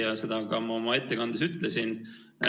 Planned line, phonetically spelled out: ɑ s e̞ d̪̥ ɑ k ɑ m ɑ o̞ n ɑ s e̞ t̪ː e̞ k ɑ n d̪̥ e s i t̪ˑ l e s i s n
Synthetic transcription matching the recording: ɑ s e̞ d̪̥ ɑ k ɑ m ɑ o̞ m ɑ e̞ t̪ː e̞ k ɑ n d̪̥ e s y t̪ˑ l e s i n